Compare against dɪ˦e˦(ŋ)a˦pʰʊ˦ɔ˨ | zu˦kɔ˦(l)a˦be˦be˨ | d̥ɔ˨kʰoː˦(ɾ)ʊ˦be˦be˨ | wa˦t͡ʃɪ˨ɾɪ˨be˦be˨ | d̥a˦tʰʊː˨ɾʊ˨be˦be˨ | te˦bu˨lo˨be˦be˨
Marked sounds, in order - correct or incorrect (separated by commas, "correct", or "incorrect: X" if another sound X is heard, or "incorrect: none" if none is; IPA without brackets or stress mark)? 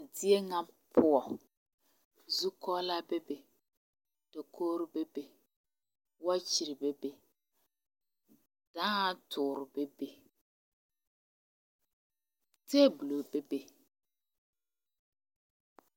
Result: correct, correct, correct